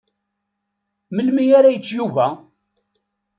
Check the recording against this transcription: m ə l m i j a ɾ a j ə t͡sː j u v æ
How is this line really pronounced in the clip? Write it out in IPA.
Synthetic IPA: m ə l m i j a ɾ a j ə t͡sː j u v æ